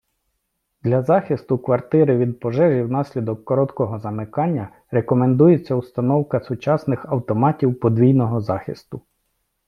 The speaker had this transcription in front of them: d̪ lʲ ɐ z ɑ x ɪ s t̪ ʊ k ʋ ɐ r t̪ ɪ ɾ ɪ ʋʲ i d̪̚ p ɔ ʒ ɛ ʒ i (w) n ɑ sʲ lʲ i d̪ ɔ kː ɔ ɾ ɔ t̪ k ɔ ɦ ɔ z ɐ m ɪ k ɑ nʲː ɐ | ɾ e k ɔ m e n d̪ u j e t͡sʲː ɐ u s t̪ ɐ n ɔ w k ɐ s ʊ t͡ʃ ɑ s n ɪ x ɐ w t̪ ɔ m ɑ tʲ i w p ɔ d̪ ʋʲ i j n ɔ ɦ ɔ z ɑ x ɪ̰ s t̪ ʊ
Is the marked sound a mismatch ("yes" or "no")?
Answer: no